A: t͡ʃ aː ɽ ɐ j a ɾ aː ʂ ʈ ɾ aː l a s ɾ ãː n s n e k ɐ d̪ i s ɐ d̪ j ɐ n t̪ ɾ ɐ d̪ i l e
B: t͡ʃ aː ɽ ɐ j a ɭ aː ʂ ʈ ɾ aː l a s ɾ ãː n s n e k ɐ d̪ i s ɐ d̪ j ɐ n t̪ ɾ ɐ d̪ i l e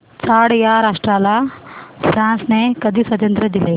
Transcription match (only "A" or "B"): A